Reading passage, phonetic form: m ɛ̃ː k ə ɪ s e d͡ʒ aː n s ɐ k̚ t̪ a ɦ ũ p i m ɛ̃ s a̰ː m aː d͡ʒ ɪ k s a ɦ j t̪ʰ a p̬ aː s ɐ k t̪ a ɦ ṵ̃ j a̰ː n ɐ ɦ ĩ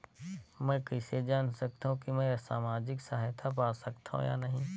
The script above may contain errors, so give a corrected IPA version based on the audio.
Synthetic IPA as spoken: m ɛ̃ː k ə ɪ s e d͡ʒ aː n s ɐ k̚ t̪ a ɦ ũ k i m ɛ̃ s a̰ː m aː d͡ʒ ɪ k s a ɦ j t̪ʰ a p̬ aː s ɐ k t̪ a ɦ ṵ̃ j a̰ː n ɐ ɦ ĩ